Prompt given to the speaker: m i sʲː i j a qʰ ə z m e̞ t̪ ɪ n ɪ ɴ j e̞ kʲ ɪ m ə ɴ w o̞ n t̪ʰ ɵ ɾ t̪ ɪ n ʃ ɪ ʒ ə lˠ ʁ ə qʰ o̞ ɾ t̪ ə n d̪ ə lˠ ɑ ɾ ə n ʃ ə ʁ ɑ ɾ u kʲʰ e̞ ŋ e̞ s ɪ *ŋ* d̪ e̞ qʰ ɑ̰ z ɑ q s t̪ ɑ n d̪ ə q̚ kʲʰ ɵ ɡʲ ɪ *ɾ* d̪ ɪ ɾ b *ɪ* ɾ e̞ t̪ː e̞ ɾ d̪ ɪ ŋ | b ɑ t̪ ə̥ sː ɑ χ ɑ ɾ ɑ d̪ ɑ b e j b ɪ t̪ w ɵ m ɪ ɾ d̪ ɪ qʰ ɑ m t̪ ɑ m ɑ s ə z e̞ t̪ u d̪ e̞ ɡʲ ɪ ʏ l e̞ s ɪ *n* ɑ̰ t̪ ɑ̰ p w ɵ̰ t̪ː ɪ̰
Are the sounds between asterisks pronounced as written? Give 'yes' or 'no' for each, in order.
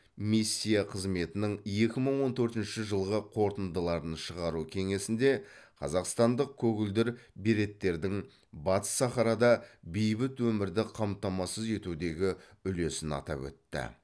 no, no, no, yes

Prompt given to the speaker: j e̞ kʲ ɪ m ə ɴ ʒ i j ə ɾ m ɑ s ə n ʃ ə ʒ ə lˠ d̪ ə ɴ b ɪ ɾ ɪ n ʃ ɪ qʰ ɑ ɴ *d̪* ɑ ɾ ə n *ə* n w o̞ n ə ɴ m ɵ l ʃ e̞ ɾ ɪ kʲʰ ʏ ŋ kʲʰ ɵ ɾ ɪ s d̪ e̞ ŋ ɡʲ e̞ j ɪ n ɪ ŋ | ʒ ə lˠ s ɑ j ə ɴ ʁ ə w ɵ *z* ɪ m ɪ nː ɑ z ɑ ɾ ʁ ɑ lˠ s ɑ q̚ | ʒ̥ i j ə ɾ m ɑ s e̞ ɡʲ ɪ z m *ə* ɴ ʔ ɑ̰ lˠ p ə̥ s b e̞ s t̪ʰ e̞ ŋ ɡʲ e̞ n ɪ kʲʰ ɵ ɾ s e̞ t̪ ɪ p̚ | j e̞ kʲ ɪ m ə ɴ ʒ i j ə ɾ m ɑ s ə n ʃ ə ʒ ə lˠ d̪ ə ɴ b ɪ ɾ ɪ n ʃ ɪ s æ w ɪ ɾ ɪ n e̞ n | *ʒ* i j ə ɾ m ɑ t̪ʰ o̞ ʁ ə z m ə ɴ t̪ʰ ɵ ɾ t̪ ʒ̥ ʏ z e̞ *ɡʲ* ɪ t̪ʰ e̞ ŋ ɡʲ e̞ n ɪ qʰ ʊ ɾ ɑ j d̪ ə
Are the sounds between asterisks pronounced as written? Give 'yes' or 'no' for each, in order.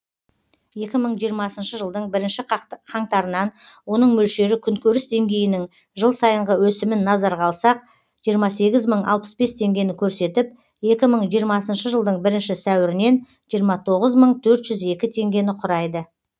no, no, no, yes, yes, no

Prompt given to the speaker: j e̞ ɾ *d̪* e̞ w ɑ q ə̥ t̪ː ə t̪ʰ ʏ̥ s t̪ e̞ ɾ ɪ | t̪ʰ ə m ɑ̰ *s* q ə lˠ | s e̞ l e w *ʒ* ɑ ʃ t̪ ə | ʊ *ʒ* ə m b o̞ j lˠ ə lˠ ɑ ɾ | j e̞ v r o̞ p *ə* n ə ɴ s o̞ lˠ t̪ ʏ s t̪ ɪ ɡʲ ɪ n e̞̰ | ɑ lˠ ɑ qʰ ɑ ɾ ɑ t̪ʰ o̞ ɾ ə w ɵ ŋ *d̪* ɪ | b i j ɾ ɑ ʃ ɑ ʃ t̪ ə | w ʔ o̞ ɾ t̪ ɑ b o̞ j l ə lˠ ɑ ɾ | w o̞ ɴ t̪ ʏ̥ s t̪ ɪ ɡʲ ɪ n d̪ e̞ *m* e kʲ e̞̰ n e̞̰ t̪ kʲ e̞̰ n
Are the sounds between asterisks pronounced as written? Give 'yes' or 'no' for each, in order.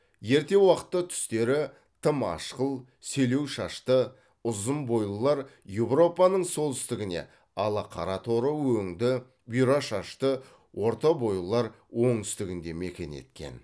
no, no, no, no, no, yes, yes

